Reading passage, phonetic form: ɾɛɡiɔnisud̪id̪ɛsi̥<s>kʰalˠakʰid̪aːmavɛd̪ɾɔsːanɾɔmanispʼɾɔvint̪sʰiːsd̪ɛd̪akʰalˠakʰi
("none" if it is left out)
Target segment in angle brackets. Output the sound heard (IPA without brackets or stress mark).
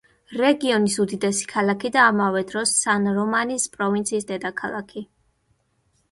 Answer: none